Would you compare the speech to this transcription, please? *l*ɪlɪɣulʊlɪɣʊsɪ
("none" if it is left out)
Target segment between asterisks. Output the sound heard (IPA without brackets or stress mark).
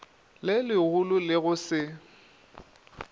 l